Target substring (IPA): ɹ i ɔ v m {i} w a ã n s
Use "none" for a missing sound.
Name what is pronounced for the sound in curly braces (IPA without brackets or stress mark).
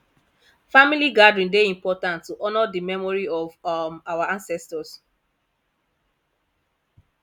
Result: a